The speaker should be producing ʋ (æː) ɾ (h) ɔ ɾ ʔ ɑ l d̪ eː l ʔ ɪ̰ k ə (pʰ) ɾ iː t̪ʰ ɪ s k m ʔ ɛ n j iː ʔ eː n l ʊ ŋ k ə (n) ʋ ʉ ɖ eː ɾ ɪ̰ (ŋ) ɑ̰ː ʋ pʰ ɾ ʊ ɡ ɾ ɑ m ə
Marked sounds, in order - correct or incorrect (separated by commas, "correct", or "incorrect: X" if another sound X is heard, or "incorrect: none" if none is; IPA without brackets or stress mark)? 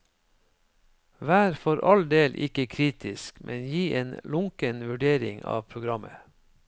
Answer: correct, incorrect: f, incorrect: kʰ, correct, correct